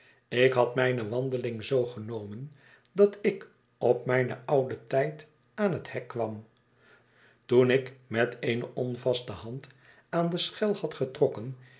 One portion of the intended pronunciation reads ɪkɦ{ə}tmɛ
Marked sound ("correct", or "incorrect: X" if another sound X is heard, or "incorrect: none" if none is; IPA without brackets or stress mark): incorrect: ɑ